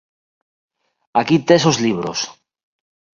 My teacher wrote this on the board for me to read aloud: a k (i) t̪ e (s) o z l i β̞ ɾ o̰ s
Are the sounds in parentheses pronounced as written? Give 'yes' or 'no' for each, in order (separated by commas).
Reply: yes, yes